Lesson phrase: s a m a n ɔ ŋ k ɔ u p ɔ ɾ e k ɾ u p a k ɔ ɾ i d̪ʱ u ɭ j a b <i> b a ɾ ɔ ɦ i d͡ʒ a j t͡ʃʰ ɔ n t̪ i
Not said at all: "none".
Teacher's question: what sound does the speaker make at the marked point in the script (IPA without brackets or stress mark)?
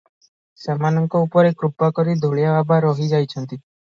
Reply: a